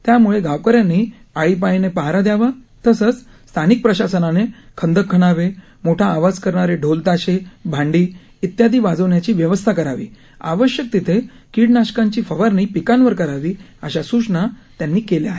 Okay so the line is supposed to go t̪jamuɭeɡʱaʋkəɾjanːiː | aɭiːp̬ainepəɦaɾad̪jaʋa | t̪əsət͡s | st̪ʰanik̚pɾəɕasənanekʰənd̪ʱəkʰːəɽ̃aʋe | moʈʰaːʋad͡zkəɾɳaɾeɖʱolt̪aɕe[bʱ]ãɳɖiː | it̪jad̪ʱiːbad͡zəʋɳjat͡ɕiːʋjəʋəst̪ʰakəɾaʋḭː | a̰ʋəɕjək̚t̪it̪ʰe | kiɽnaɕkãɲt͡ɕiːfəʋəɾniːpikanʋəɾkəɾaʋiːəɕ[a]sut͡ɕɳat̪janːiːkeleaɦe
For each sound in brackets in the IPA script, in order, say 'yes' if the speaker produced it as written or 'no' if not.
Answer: yes, yes

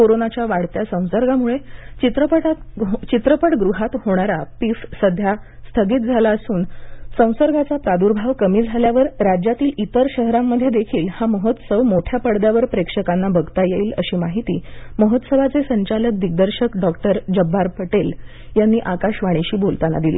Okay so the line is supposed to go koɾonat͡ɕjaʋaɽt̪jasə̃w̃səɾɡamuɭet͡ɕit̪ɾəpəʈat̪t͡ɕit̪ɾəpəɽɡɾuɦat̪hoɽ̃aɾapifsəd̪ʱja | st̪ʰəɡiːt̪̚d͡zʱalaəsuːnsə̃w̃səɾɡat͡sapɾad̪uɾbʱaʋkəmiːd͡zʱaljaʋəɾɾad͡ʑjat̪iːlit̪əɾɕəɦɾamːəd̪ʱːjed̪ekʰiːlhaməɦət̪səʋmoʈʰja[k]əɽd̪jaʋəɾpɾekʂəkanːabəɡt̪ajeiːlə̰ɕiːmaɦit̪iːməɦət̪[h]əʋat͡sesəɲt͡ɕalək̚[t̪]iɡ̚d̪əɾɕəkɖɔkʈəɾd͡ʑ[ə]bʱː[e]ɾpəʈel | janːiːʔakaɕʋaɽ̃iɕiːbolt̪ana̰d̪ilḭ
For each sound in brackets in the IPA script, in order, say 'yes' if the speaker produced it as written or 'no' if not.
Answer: no, no, no, yes, no

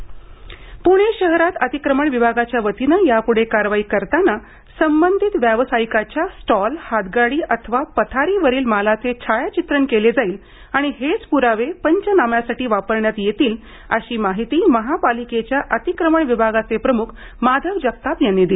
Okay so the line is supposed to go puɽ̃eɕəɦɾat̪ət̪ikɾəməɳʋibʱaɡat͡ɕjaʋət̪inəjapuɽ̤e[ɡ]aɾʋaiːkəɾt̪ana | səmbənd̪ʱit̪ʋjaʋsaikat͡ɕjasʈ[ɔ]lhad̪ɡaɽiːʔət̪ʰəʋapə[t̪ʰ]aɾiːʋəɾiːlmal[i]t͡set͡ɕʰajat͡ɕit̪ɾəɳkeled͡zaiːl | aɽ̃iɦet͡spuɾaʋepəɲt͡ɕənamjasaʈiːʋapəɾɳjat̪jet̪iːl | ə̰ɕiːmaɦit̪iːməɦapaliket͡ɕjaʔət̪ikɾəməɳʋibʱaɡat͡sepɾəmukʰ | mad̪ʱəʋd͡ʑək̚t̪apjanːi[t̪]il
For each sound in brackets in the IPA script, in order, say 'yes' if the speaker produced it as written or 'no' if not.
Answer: no, yes, yes, no, no

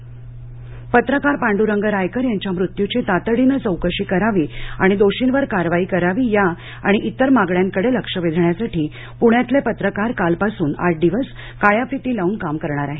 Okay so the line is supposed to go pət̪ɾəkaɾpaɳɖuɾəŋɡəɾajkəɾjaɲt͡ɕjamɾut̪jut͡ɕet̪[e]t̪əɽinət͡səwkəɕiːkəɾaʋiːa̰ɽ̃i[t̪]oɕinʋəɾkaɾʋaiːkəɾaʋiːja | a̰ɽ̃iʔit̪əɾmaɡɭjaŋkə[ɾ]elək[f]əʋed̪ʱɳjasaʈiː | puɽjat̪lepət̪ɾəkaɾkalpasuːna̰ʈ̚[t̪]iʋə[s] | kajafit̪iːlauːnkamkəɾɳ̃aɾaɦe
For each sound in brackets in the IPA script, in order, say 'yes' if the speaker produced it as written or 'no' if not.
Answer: no, no, no, no, no, yes

